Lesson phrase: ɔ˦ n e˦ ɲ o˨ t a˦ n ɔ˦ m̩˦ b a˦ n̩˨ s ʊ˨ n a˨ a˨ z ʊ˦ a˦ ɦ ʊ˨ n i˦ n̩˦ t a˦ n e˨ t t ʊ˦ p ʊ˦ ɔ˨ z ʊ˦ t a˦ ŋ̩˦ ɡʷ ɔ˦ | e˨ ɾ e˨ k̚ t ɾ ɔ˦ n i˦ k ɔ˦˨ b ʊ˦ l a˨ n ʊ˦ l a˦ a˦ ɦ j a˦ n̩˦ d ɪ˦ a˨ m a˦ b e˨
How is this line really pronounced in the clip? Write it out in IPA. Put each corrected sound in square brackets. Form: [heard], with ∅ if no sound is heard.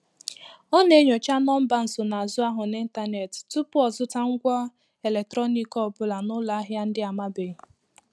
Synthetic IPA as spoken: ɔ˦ n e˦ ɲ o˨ [t͡ʃ] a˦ n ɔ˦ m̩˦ b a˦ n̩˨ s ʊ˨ n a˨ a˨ z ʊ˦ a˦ ɦ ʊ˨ n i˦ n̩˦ t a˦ n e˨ t t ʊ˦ p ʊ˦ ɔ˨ z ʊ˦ t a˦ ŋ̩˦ ɡʷ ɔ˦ | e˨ [l] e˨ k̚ t ɾ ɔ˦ n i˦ k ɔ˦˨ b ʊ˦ l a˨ n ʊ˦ l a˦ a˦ ɦ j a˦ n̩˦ d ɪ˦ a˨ m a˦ b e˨